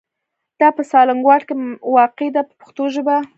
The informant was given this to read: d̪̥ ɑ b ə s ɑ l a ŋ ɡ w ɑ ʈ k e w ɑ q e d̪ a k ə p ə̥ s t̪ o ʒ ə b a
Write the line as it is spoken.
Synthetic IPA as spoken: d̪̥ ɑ p ə s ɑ l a ŋ ɡ w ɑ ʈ k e w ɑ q e d̪ a p ə p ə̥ x t̪ o ʒ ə b a